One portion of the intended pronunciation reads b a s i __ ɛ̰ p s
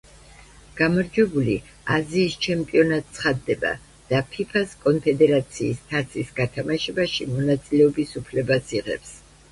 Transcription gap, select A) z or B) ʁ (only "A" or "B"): B